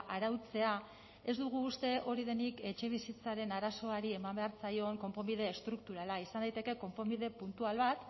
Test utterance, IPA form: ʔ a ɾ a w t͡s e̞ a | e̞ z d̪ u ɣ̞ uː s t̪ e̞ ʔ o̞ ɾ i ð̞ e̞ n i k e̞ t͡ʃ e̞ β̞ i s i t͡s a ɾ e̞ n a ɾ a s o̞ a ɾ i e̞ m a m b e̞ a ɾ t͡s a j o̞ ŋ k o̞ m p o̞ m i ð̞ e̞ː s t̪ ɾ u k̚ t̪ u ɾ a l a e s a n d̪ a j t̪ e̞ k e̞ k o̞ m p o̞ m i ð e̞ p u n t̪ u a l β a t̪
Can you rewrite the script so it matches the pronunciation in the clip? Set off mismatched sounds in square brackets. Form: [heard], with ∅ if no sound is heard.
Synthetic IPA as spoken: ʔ a ɾ a w t͡s e̞ a | e̞ z d̪ u ɣ̞ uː s t̪ e̞ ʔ o̞ ɾ i ð̞ e̞ n i k e̞ t͡ʃ e̞ β̞ i s i t͡s a ɾ e̞ n a ɾ a s o̞ a ɾ i e̞ m a m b e̞ a ɾ t͡s a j o̞ ŋ k o̞ m p o̞ m i ð̞ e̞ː s t̪ ɾ u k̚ t̪ u ɾ a l a [i] s a n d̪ a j t̪ e̞ k e̞ k o̞ m p o̞ m i ð e̞ p u n t̪ u a l β a t̪